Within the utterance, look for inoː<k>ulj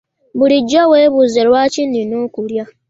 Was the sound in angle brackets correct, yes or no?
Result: yes